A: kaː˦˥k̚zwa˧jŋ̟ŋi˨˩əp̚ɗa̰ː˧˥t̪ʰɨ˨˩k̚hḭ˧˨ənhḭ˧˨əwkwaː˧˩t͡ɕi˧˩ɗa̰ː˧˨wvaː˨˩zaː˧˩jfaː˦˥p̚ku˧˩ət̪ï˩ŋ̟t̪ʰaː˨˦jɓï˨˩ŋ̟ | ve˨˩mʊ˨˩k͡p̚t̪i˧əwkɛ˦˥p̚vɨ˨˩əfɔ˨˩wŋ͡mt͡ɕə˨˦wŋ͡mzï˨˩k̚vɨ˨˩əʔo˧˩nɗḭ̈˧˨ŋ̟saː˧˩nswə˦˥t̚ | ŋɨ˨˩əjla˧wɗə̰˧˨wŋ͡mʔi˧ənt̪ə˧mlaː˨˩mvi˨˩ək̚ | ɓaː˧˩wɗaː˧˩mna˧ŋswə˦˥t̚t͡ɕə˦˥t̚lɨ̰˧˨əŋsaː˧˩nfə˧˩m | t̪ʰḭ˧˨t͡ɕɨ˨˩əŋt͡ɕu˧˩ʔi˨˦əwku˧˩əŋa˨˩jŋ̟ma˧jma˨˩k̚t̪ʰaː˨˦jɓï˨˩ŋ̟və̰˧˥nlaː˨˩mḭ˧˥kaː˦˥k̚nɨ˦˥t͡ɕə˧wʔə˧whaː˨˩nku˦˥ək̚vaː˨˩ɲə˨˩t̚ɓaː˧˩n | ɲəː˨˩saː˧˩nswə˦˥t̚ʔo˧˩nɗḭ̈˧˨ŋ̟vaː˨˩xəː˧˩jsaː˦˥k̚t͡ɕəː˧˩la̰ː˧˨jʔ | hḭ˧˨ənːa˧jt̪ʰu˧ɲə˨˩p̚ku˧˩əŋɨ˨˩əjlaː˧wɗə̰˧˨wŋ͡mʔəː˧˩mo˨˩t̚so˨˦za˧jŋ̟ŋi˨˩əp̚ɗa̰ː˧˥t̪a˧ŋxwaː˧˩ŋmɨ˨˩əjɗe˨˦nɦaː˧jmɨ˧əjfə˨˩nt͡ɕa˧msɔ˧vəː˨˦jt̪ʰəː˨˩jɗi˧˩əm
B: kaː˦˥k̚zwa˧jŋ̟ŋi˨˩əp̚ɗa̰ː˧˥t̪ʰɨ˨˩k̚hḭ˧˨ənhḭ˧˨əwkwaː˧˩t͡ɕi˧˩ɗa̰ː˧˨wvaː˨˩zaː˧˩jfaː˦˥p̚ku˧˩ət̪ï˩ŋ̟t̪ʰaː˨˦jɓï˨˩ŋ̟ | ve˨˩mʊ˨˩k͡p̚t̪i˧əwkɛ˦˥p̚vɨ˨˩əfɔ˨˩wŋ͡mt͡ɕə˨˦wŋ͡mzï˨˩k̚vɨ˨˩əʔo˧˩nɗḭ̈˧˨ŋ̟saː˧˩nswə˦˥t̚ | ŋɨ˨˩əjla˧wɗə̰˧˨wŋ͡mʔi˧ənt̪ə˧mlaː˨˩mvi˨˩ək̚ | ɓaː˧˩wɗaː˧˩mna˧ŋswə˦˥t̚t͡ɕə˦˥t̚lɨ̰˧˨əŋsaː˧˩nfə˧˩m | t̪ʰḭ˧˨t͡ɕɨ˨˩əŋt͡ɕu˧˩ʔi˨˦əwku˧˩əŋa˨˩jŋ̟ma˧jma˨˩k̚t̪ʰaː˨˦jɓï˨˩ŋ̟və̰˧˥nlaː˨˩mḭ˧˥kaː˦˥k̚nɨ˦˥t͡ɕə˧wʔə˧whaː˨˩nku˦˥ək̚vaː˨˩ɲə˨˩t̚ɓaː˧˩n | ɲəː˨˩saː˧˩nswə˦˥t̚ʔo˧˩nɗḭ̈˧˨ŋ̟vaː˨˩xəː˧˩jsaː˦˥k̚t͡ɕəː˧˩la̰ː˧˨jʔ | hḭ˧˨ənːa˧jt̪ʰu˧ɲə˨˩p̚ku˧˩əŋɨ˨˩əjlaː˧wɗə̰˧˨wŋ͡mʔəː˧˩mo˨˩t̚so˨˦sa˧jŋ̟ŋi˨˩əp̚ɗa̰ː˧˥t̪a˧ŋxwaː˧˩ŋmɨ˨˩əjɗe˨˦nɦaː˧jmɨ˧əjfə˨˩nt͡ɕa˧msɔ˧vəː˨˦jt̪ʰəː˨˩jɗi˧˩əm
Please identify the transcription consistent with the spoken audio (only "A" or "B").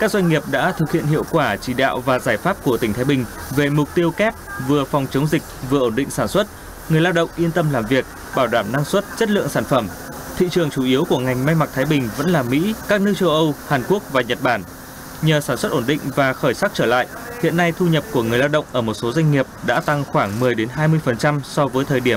A